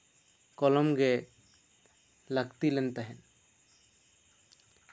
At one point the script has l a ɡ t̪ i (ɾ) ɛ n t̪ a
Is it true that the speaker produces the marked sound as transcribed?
no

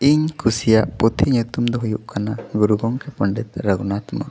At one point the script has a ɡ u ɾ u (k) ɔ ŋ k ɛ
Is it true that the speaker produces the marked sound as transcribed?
no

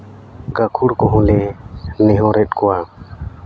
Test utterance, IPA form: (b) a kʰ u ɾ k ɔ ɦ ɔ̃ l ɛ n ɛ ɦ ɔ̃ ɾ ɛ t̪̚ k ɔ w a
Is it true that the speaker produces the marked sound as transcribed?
no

